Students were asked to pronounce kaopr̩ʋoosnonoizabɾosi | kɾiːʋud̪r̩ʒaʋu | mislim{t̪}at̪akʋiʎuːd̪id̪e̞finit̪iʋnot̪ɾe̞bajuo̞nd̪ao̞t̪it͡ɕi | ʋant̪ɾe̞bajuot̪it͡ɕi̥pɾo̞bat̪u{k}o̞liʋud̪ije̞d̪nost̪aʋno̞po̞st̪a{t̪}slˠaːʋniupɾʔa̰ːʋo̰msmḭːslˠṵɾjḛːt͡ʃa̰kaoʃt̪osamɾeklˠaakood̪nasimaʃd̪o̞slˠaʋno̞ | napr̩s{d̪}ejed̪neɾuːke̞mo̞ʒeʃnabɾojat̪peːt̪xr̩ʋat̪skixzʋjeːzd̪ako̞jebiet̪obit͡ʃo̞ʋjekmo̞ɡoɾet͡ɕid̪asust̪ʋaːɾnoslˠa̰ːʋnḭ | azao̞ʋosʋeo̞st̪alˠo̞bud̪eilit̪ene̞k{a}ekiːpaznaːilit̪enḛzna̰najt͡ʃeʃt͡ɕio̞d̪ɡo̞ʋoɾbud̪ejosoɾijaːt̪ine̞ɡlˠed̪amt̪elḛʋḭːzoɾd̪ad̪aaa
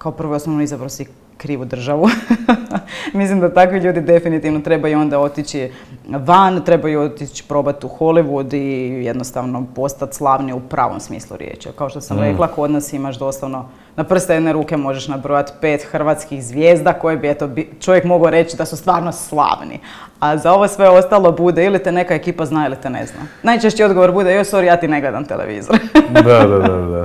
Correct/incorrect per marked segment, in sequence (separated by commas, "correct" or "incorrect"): incorrect, incorrect, correct, incorrect, correct